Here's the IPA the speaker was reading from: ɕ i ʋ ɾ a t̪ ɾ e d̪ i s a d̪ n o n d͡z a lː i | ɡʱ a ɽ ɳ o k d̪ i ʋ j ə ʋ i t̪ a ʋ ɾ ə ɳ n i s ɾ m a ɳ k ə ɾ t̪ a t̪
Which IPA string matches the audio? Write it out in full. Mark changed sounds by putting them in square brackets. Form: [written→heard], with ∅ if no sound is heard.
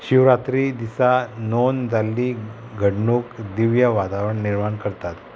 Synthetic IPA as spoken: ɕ i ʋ ɾ a t̪ ɾ [e→i] d̪ i s a [d̪→∅] n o n d͡z a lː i | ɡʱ [a→ə] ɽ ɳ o k d̪ i ʋ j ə ʋ [i→a] t̪ a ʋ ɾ ə ɳ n i [s→∅] ɾ m a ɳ k ə ɾ t̪ a t̪